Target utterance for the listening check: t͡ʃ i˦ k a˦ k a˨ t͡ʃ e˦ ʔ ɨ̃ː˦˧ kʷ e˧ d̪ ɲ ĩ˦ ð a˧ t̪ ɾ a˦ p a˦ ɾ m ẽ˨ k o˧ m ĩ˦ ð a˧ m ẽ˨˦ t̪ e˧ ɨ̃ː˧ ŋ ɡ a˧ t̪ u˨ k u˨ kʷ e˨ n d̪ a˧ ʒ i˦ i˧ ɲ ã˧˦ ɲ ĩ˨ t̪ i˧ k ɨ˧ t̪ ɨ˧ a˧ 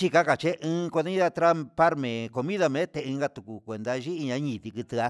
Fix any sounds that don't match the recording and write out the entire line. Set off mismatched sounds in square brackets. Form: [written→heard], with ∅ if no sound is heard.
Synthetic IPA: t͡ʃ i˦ k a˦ k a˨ t͡ʃ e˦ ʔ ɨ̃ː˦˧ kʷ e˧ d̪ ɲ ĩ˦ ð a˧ t̪ ɾ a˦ p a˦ ɾ m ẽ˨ k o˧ m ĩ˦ ð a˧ m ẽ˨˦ t̪ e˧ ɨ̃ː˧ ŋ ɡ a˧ t̪ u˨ k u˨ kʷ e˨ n d̪ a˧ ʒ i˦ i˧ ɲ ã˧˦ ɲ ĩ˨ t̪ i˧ k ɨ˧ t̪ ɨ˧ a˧